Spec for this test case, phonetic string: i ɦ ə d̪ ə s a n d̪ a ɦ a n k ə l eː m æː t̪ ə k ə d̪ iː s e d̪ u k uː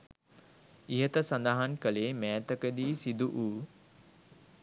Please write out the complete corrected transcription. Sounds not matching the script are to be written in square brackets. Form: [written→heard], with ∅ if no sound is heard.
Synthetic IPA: i ɦ ə [d̪→t̪] ə s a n d̪ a ɦ a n k ə l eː m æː t̪ ə k ə d̪ iː s [e→i] d̪ u [k→ʔ] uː